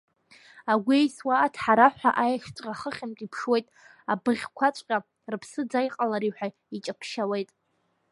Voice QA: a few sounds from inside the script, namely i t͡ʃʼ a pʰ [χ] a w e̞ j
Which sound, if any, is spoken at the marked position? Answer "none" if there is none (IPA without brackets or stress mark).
ʃ